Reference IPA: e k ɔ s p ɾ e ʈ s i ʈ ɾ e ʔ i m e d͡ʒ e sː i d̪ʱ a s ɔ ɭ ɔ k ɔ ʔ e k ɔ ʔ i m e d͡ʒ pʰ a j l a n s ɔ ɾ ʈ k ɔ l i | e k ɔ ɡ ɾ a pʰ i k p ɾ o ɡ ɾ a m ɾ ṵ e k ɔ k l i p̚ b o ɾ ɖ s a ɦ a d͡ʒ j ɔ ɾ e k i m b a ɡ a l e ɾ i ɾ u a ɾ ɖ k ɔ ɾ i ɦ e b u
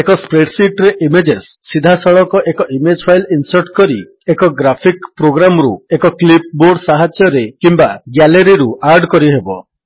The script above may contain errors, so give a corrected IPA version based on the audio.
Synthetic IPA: e k ɔ s p ɾ e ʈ s i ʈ ɾ e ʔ i m e d͡ʒ e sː i d̪ʱ a s ɔ ɭ ɔ k ɔ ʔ e k ɔ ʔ i m e d͡ʒ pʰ a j l i n s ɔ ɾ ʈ k ɔ ɾ i | e k ɔ ɡ ɾ a pʰ i k p ɾ o ɡ ɾ a m ɾ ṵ e k ɔ k l i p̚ b o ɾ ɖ s a ɦ a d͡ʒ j ɔ ɾ e k i m b a ɡ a l e ɾ i ɾ u a ɾ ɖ k ɔ ɾ i ɦ e b ɔ